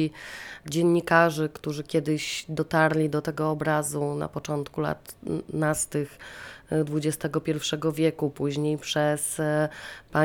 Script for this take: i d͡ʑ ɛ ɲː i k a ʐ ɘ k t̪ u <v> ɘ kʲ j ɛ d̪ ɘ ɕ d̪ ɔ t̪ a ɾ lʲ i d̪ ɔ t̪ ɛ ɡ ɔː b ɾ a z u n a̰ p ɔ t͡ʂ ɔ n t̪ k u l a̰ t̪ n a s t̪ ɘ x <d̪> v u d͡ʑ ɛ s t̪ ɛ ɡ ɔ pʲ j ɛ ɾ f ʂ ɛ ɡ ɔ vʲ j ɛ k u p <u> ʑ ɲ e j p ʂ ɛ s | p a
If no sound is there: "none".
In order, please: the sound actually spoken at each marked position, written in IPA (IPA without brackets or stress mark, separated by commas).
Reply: ʐ, d̪, u